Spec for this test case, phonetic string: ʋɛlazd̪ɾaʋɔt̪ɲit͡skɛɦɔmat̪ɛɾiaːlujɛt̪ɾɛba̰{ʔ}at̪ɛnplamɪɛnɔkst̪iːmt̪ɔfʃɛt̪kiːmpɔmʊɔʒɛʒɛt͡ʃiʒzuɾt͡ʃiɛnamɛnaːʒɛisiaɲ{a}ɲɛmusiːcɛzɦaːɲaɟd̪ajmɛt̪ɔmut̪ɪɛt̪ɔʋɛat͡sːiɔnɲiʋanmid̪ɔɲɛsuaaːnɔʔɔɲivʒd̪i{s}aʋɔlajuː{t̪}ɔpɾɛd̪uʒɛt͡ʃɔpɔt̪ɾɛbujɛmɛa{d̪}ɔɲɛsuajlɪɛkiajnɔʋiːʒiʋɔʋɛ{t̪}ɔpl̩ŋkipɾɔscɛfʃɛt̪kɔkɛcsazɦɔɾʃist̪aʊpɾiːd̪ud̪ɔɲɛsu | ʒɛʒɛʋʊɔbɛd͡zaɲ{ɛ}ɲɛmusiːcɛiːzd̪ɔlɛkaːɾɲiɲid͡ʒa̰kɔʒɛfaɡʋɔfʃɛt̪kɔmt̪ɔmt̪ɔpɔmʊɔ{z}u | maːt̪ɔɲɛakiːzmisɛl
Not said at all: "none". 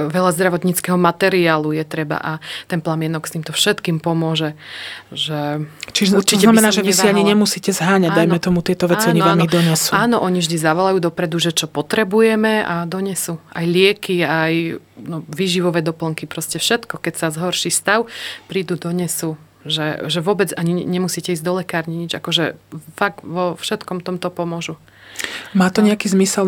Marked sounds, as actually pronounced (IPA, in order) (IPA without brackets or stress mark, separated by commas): ʔ, i, z, d̪, d̪, d̪, i, ʒ